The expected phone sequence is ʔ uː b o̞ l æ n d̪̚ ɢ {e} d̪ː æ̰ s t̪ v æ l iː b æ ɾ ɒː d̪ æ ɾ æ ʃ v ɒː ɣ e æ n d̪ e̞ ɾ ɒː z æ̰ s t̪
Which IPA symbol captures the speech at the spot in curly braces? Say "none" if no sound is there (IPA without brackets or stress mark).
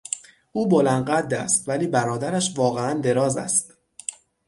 æ